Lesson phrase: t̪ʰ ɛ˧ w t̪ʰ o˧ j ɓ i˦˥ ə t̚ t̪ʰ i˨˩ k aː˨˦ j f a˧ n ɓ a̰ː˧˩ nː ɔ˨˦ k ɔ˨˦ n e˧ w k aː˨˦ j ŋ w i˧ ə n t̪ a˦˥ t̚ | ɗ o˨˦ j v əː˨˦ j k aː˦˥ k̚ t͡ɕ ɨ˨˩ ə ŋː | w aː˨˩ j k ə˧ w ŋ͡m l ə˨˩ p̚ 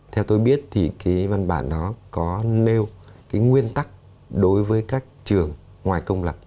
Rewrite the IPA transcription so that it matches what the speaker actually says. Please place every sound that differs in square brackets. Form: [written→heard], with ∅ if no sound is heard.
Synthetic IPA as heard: t̪ʰ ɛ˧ w [t̪ʰ→t̪] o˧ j ɓ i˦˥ ə t̚ t̪ʰ i˨˩ k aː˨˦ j [f→v] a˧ n ɓ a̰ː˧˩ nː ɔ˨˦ k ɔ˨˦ n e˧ w k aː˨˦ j ŋ w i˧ ə n t̪ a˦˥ [t̚→k̚] | ɗ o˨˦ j v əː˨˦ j k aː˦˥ k̚ t͡ɕ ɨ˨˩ ə ŋː | w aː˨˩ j k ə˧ w ŋ͡m l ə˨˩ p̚